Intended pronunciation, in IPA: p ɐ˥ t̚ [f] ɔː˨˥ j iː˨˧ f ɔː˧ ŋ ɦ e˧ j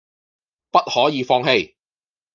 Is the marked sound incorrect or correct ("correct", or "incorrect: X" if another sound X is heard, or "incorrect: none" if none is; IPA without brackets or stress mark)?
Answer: incorrect: h